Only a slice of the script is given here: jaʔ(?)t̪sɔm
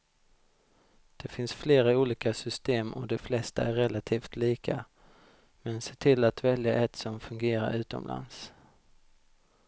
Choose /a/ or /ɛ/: ɛ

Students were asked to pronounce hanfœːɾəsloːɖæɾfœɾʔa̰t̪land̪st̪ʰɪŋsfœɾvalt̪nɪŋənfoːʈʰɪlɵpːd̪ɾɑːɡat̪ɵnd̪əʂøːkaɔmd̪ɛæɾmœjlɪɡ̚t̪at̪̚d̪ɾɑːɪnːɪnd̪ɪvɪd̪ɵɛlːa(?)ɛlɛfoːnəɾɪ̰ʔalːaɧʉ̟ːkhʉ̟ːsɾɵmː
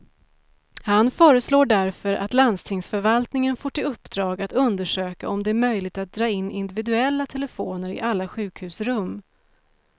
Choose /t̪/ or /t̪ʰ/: t̪ʰ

